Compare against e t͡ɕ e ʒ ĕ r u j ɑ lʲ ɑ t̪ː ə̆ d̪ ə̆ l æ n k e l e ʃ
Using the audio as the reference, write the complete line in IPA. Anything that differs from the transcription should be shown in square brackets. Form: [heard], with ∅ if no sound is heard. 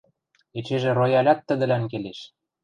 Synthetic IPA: e t͡ɕ e ʒ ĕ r [o] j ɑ lʲ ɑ t̪ː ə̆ d̪ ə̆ l æ n k e l e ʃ